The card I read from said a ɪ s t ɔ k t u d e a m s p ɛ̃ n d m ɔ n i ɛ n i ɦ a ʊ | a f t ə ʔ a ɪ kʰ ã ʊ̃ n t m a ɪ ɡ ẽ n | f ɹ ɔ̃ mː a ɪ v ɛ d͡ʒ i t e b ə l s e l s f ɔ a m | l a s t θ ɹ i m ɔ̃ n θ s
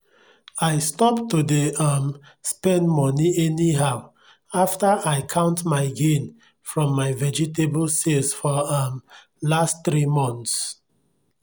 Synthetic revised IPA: a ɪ s t ɔ p t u d e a m s p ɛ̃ n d m ɔ n i ɛ n i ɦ a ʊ | a f t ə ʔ a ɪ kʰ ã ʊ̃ n t m a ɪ ɡ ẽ n | f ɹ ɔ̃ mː a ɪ v ɛ d͡ʒ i t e b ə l s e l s f ɔ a m | l a s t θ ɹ i m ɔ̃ n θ s